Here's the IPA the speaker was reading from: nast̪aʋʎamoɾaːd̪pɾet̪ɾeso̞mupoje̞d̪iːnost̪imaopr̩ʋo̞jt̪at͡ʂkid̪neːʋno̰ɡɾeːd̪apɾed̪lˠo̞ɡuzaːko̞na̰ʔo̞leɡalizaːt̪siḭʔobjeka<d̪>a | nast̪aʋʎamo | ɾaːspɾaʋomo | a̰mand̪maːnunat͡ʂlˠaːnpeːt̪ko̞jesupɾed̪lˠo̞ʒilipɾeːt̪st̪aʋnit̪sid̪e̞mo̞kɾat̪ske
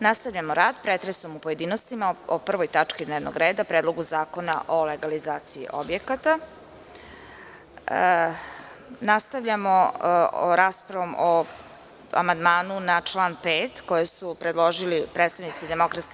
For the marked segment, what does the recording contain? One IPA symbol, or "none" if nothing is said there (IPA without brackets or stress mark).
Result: t̪